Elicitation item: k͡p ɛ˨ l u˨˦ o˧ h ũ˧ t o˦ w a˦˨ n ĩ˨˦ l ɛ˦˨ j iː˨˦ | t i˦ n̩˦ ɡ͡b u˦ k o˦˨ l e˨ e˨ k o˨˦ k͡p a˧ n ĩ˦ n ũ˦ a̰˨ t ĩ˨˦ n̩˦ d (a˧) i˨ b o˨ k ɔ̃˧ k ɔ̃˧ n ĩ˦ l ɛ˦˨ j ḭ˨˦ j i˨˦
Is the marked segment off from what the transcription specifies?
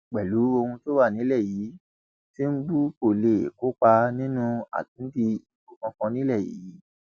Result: yes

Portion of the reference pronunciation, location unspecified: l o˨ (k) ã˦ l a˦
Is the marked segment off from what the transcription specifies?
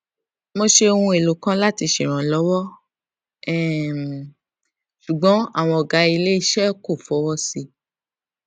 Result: no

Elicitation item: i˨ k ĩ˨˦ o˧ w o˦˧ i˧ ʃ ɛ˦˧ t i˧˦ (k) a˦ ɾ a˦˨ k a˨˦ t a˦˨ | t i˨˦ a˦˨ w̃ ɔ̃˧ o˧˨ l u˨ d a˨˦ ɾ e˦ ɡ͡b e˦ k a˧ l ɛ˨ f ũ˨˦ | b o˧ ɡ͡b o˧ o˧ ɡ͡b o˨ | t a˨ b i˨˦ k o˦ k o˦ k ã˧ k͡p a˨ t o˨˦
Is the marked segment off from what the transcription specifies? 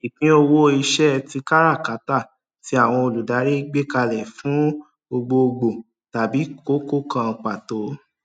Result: no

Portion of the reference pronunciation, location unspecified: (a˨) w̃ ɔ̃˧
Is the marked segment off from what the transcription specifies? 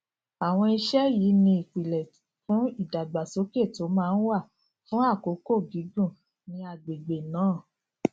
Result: no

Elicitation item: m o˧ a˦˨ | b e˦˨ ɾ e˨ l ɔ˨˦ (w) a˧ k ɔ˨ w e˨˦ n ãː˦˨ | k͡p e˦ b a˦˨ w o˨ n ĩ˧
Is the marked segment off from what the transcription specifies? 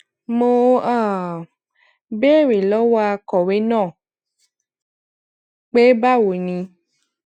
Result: no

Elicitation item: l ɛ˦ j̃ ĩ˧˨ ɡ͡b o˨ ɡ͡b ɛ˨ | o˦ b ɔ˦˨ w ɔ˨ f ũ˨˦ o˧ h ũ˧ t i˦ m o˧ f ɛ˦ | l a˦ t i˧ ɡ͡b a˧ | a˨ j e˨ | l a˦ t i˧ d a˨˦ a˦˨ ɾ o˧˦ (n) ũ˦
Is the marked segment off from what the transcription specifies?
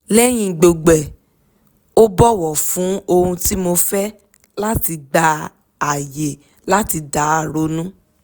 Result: no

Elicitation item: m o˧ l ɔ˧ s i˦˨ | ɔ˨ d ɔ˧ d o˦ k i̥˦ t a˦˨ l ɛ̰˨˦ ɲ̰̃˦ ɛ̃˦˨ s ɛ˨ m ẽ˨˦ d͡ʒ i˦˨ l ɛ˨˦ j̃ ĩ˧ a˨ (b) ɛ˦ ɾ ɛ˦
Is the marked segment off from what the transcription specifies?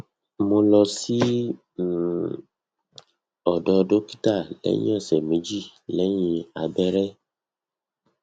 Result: no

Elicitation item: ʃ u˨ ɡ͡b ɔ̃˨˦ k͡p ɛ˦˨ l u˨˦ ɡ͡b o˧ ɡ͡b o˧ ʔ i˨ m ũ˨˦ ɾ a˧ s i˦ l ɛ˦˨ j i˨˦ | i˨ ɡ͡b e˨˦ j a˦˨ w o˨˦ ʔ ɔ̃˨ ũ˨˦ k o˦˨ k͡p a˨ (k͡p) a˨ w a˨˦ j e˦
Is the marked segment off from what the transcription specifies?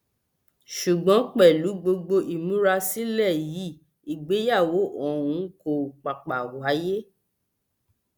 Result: no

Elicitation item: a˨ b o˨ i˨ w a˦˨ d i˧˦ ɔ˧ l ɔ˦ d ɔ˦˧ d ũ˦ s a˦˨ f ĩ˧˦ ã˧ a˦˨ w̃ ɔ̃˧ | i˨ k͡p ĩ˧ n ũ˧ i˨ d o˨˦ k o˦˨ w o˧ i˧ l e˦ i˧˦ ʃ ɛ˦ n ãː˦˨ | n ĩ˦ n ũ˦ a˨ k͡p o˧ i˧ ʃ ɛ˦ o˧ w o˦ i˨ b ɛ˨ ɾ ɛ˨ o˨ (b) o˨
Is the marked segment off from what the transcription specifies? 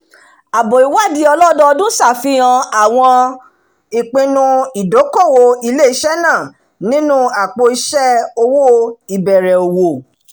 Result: yes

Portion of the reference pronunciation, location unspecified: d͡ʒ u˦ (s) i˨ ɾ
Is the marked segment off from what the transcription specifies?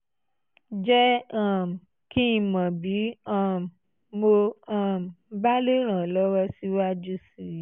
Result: no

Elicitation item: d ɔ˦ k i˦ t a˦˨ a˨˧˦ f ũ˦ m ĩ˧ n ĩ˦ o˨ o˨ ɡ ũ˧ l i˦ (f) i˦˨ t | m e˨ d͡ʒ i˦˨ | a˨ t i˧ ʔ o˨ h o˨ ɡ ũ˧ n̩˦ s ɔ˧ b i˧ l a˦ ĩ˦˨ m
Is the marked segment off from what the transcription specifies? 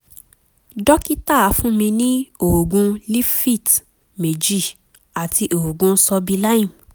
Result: no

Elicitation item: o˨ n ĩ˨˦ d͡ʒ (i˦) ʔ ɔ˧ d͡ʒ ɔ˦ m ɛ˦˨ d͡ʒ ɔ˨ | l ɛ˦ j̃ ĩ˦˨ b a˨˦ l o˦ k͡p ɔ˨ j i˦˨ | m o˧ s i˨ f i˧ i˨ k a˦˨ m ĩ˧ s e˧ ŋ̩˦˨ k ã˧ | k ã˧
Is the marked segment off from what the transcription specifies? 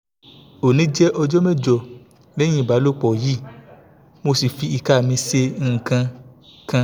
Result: yes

